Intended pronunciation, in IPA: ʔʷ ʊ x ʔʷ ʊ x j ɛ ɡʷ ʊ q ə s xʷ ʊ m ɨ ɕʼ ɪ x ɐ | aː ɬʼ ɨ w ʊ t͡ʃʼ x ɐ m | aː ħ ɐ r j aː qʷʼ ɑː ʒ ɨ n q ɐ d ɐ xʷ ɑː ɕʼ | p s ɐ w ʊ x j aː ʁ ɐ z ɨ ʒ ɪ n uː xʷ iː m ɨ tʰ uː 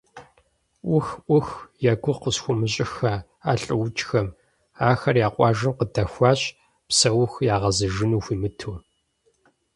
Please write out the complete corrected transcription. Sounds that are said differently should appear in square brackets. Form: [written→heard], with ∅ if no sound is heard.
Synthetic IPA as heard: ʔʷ ʊ x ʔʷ ʊ x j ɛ ɡʷ ʊ q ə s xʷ ʊ m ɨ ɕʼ ɪ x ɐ | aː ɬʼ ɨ w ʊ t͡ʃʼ x ɐ m | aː [ħ→x] ɐ r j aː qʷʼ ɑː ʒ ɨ [n→m] q [ɐ→ə] d ɐ xʷ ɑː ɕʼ | p s ɐ w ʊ x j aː ʁ ɐ z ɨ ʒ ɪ n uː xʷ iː m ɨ tʰ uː

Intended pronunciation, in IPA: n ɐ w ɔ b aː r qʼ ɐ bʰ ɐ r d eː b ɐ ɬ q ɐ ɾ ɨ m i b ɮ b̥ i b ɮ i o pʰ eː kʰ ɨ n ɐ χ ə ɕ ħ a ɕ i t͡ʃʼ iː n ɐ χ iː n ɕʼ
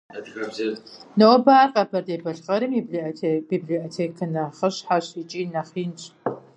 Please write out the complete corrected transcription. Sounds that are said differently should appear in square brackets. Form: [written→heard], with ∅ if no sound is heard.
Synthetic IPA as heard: n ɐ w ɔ b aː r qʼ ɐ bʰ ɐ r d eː b ɐ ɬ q ɐ ɾ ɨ m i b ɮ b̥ i b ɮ i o [pʰ→tʰ] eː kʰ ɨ n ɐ χ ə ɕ ħ a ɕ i t͡ʃʼ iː n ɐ χ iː n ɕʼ

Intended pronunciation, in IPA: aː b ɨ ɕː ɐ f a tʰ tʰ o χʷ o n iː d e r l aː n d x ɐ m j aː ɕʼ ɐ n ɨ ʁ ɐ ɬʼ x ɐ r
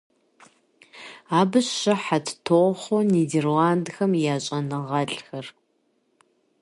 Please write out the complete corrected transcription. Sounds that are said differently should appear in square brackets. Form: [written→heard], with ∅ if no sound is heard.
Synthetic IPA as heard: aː b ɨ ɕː ɐ [f→ħ] a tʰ tʰ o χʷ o n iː d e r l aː n d x ɐ m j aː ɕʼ ɐ n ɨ ʁ ɐ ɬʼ x ɐ r

